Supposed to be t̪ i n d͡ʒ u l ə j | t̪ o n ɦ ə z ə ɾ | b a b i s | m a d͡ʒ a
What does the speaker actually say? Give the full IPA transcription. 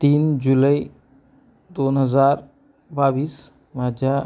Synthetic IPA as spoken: t̪ i n d͡ʒ u l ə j | d̪ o n ɦ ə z a ɾ | b a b i s | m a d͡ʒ a